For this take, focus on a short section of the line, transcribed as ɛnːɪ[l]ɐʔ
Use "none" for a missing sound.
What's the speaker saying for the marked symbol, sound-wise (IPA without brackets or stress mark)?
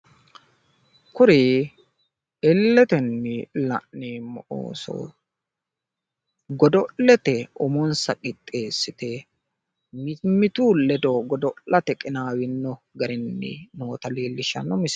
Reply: l